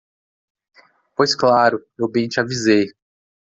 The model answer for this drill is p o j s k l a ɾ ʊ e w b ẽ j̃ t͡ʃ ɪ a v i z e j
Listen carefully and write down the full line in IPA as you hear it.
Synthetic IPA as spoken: p o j s k l a ɾ ʊ e w b ẽ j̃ t͡ʃ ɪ a v i z e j